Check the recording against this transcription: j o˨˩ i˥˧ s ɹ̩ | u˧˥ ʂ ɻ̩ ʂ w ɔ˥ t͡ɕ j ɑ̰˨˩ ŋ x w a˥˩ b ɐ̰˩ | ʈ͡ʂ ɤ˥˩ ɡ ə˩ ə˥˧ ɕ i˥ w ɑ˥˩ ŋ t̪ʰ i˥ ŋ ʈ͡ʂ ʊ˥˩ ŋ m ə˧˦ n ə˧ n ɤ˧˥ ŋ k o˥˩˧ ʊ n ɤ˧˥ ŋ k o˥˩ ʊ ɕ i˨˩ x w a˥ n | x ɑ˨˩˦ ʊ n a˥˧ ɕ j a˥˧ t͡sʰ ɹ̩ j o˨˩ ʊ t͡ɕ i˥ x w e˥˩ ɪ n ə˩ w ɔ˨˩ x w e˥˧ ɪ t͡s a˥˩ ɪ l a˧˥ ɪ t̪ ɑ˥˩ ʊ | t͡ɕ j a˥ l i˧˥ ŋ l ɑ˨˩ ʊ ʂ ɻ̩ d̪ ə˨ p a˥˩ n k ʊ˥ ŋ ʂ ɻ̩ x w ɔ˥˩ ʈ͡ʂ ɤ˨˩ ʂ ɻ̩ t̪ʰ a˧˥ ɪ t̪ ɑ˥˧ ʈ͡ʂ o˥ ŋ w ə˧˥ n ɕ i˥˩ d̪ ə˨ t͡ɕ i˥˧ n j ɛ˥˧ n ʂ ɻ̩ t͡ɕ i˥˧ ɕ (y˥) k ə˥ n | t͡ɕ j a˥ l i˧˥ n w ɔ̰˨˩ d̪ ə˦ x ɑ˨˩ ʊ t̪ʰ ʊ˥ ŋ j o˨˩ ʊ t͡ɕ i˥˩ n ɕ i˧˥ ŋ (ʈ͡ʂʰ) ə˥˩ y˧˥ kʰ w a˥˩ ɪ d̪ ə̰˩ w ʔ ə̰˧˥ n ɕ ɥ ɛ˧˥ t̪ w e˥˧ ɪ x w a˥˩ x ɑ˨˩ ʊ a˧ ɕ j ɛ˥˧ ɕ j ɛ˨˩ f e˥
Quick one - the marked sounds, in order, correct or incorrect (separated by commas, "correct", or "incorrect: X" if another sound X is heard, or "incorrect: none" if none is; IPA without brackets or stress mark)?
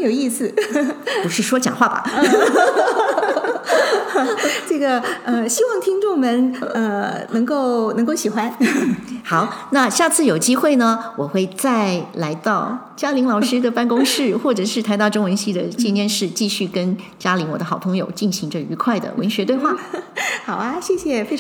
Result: incorrect: y˥˩, incorrect: ʈ͡ʂ